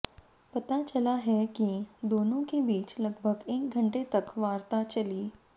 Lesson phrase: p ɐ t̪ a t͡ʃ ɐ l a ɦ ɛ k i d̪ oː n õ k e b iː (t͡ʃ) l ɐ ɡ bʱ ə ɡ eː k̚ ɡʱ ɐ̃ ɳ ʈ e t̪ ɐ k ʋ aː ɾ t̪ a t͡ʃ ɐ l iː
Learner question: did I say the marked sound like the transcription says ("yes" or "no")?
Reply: yes